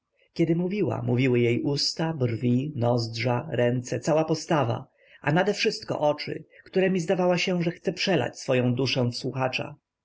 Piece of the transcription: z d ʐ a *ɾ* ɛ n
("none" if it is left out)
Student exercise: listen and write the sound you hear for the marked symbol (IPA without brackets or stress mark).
ɾ